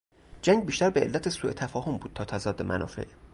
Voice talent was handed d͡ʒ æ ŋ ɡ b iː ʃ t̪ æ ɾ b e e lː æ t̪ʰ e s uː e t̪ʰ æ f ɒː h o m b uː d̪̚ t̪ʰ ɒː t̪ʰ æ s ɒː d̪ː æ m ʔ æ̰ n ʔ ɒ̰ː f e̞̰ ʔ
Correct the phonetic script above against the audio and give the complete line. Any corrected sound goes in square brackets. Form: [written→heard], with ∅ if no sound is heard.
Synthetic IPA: d͡ʒ æ ŋ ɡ b iː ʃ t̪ æ ɾ b e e lː æ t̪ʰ e s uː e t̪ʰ æ f ɒː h o m b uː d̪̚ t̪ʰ ɒː t̪ʰ æ [s→z] ɒː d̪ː [æ→e] m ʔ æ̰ n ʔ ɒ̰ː f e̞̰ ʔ